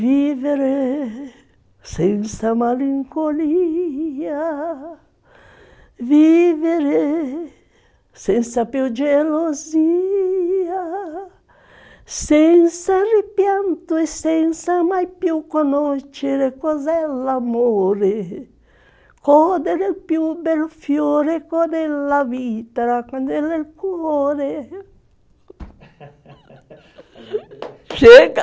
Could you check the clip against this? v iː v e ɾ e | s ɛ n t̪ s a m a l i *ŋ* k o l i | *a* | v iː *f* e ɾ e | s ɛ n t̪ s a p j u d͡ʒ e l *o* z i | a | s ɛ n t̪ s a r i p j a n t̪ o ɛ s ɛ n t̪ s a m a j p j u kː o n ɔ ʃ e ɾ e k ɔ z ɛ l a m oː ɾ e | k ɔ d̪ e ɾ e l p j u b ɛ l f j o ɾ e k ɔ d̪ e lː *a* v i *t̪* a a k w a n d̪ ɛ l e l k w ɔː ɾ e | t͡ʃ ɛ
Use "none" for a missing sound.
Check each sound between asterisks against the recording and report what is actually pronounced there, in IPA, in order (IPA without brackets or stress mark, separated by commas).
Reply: ŋ, a, v, o, a, t̪